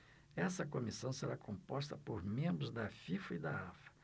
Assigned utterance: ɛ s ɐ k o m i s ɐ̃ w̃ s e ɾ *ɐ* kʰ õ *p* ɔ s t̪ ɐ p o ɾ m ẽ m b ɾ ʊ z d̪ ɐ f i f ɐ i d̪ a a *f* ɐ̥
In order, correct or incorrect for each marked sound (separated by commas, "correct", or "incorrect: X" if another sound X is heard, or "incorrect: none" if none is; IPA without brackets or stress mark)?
incorrect: a, correct, correct